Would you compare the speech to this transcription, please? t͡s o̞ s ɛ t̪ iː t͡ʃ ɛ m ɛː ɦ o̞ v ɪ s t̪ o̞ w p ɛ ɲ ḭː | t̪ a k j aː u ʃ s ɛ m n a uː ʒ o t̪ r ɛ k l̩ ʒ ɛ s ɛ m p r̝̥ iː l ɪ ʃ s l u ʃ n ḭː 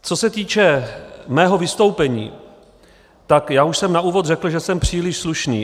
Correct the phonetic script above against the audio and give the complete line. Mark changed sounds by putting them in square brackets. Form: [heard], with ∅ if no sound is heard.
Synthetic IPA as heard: t͡s o̞ s ɛ t̪ iː t͡ʃ ɛ m ɛː ɦ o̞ v ɪ s t̪ o̞ w p ɛ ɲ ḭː | t̪ a k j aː u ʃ s ɛ m n a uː [v] o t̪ r ɛ k l̩ ʒ ɛ s ɛ m p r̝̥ iː l ɪ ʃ s l u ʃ n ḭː

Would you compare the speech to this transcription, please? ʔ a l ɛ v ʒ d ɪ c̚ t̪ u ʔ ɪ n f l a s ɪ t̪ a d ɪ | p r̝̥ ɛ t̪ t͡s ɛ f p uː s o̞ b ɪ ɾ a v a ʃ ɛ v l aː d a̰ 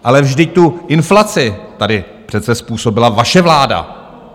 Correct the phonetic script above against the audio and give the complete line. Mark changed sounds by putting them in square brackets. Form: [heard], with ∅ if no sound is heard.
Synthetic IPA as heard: ʔ a l ɛ v ʒ d ɪ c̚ t̪ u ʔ ɪ n f l a [t͡s] ɪ t̪ a d ɪ | p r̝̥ ɛ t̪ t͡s ɛ [s] p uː s o̞ b ɪ [l] a v a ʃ ɛ v l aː d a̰

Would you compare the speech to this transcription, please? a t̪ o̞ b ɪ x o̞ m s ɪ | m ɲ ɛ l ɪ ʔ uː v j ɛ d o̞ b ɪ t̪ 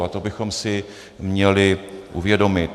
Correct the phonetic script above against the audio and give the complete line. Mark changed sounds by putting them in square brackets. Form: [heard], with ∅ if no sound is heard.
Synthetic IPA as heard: a t̪ o̞ b ɪ x o̞ m s ɪ | m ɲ ɛ l ɪ ʔ [u] v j ɛ d o̞ [m] ɪ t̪

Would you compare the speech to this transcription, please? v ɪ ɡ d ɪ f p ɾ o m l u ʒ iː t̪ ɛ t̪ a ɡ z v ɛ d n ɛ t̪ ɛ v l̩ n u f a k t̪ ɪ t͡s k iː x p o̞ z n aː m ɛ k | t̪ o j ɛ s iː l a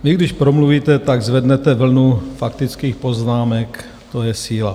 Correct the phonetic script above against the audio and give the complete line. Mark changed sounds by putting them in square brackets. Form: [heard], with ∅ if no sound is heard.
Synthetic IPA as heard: v ɪ ɡ d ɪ [ʃ] p ɾ o m l u [v] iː t̪ ɛ t̪ a ɡ z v ɛ d n ɛ t̪ ɛ v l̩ n u f a k t̪ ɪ t͡s k iː x p o̞ z n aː m ɛ k | t̪ o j ɛ s iː l a

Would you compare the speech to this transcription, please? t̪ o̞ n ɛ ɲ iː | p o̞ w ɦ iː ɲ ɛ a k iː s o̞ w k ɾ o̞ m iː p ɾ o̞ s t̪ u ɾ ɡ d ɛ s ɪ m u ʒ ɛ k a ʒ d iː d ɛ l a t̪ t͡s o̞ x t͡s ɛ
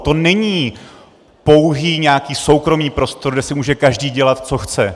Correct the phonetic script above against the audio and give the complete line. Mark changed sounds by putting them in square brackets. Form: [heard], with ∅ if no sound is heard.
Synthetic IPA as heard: t̪ o̞ n ɛ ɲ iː | p o̞ w ɦ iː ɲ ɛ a k iː s o̞ w k ɾ o̞ m iː p ɾ o̞ s t̪ [o] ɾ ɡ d ɛ s ɪ m [uː] ʒ ɛ k a ʒ d iː [ɟ] ɛ l a t̪ t͡s o̞ x t͡s ɛ

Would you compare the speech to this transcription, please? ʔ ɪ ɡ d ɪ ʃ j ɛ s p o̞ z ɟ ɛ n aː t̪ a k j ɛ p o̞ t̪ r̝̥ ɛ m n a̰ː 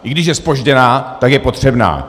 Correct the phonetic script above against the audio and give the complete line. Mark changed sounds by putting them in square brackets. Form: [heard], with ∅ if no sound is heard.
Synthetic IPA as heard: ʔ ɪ ɡ d ɪ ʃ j ɛ s p o̞ [ʒ] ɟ ɛ n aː t̪ a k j ɛ p o̞ t̪ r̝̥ ɛ [b] n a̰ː

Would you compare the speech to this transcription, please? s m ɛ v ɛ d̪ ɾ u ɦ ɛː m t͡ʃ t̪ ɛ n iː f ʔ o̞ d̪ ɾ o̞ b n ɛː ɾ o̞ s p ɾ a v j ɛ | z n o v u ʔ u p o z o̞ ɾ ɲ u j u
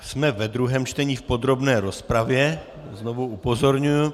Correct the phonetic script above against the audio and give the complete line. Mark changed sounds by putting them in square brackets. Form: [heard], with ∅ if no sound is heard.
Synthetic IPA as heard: s m ɛ v ɛ d̪ ɾ u ɦ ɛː m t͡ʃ t̪ ɛ [ɲ] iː f [p] o̞ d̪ ɾ o̞ b n ɛː ɾ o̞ s p ɾ a v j ɛ | z n o v u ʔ u p o z o̞ ɾ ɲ u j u

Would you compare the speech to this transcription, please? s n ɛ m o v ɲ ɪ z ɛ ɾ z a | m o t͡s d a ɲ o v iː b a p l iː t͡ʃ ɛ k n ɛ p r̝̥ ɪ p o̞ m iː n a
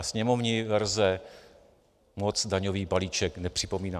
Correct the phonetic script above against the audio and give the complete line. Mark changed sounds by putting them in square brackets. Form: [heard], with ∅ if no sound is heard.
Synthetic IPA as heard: s [ɲ] ɛ m o v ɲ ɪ [v] ɛ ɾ z [ɛ] | m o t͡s d a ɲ o v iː b a [∅] l iː t͡ʃ ɛ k n ɛ p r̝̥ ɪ p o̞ m iː n a

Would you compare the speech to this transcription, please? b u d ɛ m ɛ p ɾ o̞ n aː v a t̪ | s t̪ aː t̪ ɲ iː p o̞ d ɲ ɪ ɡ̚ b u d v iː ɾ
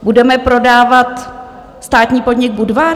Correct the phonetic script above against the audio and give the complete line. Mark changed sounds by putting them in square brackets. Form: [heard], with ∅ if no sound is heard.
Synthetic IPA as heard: b u d ɛ m ɛ p ɾ o̞ [d] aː v a t̪ | s t̪ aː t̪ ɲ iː p o̞ d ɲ ɪ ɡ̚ b u d v [aː] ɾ

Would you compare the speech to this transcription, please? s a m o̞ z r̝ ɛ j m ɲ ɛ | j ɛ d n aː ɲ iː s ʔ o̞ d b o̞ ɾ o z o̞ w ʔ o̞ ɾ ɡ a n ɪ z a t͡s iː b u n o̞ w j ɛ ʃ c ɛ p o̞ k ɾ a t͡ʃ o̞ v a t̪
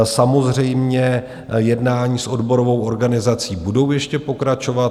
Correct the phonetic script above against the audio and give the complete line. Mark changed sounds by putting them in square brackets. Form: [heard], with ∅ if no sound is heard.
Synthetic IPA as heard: s a m o̞ z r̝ ɛ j m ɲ ɛ | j ɛ d n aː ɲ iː s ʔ o̞ d b o̞ ɾ o [v] o̞ w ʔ o̞ ɾ ɡ a n ɪ z a t͡s iː b u [d] o̞ w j ɛ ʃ c ɛ p o̞ k ɾ a t͡ʃ o̞ v a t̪

